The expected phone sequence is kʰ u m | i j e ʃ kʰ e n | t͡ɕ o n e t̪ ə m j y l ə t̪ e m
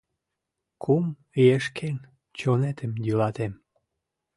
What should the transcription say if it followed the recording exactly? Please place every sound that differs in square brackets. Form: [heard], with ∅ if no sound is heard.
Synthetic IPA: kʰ u m | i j e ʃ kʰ e n | t͡ɕ o n e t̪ ə m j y l [ɑ] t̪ e m